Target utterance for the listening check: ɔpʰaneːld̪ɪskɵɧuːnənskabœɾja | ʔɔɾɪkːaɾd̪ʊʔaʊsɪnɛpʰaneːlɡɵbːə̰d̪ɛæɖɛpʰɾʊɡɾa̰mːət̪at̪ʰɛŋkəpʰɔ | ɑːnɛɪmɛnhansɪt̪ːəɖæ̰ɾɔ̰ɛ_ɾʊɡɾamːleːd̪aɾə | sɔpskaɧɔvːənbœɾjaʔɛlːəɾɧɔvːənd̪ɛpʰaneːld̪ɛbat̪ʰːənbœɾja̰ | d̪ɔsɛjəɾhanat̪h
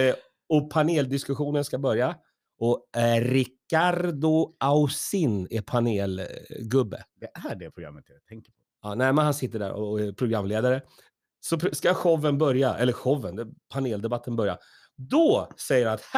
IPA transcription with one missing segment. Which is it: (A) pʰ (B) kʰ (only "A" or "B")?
A